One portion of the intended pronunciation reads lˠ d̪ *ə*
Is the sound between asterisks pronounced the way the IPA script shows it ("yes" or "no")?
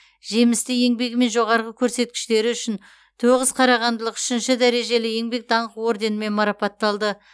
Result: yes